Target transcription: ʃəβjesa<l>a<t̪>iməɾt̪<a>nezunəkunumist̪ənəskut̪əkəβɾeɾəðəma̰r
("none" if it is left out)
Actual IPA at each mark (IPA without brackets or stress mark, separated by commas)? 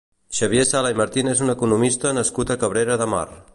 l, none, i